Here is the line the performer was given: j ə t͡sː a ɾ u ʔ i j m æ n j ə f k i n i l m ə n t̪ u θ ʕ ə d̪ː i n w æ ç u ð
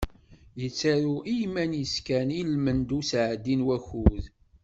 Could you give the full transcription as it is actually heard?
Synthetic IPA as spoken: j ə t͡sː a ɾ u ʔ i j m æ n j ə s k æ n i l m ə n d̪ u s ʕ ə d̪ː i n w æ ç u ð